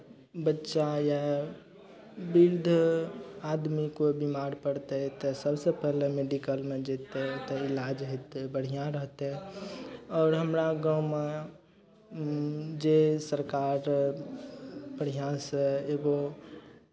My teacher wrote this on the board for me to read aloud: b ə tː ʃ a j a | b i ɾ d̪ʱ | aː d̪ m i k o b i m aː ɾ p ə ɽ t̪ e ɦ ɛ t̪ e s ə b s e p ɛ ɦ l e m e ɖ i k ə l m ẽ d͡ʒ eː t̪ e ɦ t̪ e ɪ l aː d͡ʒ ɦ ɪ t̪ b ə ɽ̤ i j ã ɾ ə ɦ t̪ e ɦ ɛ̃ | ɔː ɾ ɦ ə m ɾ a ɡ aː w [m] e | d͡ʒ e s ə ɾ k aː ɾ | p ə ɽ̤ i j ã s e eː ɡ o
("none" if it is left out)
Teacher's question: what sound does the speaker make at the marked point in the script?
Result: m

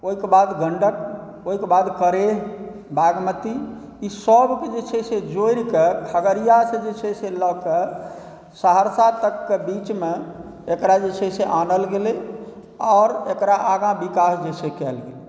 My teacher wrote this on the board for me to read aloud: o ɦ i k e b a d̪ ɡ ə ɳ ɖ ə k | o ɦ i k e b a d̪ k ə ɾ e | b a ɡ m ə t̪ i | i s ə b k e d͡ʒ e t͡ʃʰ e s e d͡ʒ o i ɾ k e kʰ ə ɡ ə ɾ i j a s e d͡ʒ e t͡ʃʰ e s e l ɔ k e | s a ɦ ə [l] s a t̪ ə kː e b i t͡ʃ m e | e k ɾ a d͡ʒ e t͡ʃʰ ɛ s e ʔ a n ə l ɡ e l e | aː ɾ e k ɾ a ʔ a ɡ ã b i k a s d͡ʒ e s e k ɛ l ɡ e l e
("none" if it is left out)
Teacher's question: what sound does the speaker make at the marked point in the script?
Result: ɾ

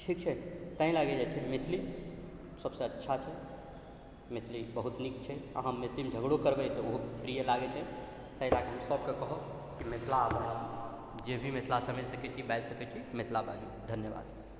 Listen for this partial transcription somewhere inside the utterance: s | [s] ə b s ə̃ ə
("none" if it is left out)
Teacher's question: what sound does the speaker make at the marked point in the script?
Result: s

